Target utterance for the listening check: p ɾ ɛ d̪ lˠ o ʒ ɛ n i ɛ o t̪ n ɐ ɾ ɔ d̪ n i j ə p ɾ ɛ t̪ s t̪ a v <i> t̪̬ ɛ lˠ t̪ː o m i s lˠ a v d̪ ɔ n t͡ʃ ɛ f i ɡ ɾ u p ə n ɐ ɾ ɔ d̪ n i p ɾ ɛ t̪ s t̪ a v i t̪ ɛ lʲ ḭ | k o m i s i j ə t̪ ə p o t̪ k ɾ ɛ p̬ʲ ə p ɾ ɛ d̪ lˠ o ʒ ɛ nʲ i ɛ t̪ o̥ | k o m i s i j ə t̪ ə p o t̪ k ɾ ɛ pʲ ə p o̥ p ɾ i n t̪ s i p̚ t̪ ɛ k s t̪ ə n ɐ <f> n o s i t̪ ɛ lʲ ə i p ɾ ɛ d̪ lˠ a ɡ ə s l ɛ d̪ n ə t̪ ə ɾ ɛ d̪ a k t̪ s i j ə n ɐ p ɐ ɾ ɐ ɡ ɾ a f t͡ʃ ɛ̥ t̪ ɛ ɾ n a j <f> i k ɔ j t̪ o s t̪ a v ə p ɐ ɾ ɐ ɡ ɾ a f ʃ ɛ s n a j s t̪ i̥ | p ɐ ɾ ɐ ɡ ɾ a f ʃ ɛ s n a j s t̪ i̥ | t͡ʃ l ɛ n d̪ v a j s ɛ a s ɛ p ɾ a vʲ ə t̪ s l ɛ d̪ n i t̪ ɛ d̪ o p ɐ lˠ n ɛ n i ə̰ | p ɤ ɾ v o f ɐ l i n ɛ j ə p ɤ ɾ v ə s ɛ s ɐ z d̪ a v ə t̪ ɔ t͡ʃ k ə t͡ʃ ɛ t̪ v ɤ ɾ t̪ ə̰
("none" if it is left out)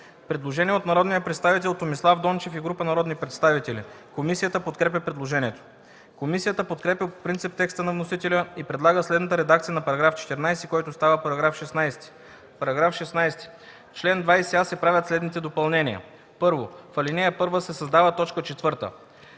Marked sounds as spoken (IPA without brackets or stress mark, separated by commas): i, v, s